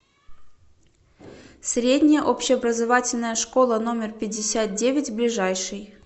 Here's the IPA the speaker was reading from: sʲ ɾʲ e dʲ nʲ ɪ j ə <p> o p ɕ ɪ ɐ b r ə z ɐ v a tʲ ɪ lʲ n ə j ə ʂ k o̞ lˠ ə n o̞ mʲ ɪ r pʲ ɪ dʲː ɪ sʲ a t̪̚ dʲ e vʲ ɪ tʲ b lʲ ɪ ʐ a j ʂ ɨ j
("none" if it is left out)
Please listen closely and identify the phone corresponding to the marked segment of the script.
ʔ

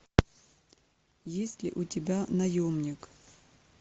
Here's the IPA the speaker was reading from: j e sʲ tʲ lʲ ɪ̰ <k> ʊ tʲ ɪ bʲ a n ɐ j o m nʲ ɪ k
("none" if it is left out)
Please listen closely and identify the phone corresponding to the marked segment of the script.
ʔ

